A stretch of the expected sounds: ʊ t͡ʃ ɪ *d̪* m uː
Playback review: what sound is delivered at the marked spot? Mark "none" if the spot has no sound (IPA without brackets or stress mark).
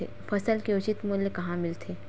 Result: t̪